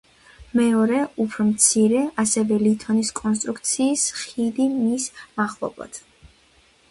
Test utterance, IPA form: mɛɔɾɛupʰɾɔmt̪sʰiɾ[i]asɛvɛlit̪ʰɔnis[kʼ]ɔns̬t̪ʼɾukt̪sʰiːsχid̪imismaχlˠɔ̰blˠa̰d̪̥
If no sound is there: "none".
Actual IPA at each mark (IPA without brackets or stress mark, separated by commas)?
ɛ, kʼ